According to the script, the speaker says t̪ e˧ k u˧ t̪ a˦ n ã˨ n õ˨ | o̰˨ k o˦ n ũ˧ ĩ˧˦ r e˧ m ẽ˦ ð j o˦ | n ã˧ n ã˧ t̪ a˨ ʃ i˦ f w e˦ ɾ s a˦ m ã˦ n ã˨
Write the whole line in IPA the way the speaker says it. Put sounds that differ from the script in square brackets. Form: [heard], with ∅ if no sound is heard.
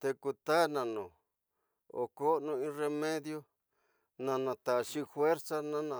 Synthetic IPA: t̪ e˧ k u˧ t̪ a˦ n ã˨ n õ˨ | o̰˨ k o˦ n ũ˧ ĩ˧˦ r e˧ m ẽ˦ ð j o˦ | n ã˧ n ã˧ t̪ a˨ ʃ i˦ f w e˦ ɾ s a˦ [n] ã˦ n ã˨